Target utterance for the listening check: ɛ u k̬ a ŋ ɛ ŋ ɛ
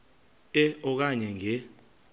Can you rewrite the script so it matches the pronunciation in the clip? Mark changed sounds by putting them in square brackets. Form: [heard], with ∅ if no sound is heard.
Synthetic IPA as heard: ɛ [ɔ] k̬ a [ɲ] ɛ ŋ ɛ